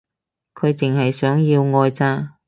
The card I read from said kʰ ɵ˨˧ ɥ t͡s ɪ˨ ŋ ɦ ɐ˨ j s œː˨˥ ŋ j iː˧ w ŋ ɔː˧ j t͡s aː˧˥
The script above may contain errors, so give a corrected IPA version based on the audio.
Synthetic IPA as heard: kʰ ɵ˨˧ ɥ t͡s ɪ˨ ŋ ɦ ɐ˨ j s œː˨˥ ŋ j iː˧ w ŋ ɔː˧ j t͡s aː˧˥

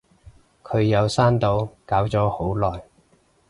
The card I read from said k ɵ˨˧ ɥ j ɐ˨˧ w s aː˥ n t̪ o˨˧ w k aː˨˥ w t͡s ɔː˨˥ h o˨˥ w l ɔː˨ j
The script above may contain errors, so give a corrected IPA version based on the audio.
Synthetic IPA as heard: kʰ ɵ˨˧ ɥ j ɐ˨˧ w s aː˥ n t̪ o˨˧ w k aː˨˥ w t͡s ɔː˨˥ h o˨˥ w l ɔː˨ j

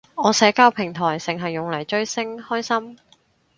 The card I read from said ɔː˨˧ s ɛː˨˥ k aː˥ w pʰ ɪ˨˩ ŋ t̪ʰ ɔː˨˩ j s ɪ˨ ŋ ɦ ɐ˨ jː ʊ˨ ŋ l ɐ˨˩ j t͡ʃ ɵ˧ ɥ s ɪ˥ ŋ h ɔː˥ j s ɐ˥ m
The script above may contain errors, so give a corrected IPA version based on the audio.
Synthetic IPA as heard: ɔː˨˧ s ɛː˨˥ k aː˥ w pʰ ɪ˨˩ ŋ t̪ʰ ɔː˨˩ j s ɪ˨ ŋ ɦ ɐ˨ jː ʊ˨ ŋ l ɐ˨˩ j t͡ʃ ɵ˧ ɥ s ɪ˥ ŋ h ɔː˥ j s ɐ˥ m

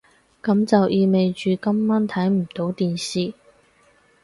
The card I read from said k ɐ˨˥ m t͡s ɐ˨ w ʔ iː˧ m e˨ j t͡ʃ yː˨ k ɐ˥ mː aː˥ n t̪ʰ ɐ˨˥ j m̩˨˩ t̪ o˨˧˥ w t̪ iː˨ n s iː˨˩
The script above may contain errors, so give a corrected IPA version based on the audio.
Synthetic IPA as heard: k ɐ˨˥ m t͡s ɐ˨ w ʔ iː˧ m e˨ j t͡ʃ yː˨ k ɐ˥ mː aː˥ n t̪ʰ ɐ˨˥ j m̩˨˩ t̪ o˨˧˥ w t̪ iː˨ n s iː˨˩

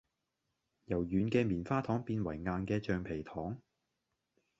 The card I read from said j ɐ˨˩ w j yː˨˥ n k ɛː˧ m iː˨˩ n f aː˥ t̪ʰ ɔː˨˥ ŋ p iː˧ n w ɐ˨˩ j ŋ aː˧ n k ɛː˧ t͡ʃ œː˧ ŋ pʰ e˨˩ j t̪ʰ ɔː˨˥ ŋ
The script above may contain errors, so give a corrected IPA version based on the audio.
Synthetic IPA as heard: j ɐ˨˩ w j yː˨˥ n k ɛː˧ m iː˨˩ n f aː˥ t̪ʰ ɔː˨˥ ŋ p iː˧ n w ɐ˨˩ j ŋ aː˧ n k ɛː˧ t͡ʃ œː˧ ŋ pʰ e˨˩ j t̪ʰ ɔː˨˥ ŋ

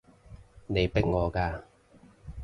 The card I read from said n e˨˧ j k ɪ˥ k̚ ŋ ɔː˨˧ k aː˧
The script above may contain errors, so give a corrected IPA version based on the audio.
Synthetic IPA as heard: n e˨˧ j p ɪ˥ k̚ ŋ ɔː˨˧ k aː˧

